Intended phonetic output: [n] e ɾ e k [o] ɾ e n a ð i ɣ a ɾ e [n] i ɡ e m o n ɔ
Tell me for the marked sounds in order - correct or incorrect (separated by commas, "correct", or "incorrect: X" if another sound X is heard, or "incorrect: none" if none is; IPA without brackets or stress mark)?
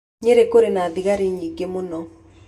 incorrect: ɲ, correct, incorrect: ɲ